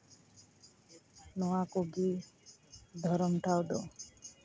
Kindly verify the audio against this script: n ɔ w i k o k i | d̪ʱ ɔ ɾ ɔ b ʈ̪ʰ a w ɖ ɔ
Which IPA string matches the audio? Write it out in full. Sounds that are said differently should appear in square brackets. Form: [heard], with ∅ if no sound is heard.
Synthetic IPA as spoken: n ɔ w [a] k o [ɡ] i | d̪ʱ ɔ ɾ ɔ [m] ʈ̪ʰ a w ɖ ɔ